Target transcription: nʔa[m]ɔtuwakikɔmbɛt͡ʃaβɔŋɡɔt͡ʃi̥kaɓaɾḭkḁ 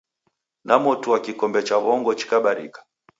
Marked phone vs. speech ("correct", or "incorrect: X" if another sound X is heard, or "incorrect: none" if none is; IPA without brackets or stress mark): correct